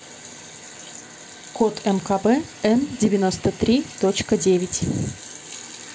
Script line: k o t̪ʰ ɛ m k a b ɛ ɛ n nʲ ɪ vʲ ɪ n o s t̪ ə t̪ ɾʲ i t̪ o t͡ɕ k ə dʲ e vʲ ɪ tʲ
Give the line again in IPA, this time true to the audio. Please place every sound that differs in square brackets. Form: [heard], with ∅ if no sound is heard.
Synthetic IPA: k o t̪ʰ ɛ m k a b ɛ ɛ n [dʲ] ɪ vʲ ɪ n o s t̪ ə t̪ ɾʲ i t̪ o t͡ɕ k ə dʲ e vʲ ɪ tʲ